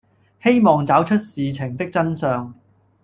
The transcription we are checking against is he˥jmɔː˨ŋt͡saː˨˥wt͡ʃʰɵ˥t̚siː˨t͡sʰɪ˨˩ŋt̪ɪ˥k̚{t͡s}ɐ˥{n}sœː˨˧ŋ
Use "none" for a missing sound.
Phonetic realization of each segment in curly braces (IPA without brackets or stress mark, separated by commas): t͡s, n